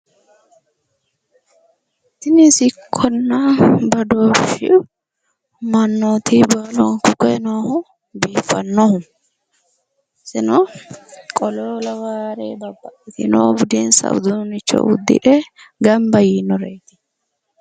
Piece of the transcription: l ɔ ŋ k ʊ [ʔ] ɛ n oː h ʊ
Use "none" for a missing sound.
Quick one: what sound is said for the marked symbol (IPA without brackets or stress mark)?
k